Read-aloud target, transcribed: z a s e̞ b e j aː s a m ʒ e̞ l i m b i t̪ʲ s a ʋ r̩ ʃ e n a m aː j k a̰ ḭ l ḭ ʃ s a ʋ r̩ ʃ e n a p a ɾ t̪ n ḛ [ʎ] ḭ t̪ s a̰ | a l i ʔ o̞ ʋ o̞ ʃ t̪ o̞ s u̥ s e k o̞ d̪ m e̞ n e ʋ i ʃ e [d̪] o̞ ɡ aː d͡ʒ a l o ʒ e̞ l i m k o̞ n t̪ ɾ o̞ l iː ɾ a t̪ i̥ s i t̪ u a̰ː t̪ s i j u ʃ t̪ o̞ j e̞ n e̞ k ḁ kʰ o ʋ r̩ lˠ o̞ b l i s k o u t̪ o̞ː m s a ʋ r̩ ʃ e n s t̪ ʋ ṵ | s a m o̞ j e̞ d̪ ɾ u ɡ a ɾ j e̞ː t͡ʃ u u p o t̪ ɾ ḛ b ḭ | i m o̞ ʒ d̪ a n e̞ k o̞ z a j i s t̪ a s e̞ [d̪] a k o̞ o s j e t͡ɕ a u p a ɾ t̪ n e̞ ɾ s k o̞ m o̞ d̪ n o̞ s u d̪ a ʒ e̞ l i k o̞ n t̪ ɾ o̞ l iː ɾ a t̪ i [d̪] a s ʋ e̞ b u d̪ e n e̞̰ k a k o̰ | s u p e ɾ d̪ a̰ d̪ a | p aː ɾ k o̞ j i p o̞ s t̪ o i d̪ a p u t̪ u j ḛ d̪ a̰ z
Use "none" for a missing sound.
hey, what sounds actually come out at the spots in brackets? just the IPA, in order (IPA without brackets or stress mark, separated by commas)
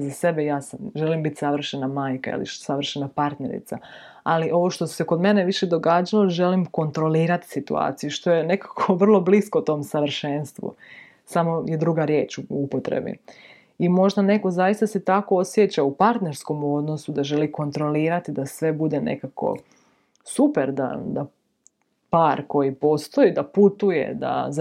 ɾ, d̪, t̪, d̪